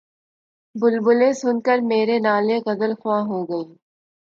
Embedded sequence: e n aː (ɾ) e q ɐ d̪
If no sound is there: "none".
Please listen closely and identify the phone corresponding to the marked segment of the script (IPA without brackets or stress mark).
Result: l